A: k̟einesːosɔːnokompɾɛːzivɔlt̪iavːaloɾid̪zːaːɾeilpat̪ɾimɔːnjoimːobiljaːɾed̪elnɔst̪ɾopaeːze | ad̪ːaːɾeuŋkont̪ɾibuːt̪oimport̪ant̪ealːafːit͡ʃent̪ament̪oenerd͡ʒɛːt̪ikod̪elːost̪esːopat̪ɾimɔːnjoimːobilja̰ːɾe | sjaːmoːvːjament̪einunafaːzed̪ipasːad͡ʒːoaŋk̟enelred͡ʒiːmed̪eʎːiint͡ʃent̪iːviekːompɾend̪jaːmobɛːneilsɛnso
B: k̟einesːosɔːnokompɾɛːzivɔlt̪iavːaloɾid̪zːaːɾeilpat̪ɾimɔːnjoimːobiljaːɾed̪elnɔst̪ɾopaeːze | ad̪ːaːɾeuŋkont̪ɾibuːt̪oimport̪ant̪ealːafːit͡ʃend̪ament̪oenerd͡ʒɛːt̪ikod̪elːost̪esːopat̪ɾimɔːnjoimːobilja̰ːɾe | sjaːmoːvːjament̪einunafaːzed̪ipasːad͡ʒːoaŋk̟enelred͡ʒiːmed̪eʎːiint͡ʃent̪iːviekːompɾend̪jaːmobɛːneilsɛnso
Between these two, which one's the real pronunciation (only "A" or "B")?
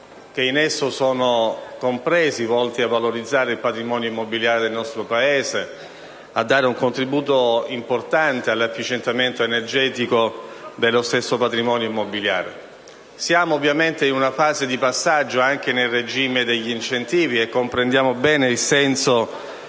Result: A